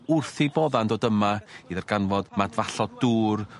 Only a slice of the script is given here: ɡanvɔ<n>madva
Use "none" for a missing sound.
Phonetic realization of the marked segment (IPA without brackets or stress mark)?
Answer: d